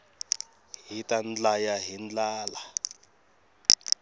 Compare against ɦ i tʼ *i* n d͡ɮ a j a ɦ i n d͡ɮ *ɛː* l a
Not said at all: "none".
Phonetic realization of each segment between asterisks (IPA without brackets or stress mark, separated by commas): a, aː